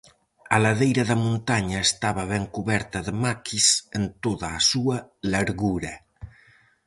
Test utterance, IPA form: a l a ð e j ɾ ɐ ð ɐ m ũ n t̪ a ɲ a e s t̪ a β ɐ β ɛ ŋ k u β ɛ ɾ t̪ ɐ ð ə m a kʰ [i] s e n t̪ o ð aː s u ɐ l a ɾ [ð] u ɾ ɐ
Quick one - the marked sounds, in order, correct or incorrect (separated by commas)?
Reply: correct, incorrect